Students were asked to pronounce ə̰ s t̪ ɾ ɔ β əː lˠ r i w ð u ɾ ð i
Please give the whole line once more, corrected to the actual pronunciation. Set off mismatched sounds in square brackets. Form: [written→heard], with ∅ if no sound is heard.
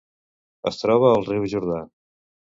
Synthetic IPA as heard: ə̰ s t̪ ɾ ɔ β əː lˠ r i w [ð→ʒ] u ɾ ð [i→a]